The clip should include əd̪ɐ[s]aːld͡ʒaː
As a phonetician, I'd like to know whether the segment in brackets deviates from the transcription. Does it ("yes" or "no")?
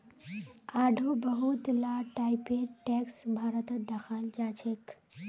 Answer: yes